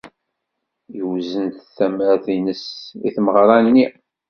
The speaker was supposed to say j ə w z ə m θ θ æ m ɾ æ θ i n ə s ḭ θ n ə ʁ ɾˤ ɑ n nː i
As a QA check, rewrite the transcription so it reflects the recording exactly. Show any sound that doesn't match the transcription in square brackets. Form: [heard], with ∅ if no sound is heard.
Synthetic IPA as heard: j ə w z ə [n] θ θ æ m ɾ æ θ i n ə s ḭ θ [m] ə ʁ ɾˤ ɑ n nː i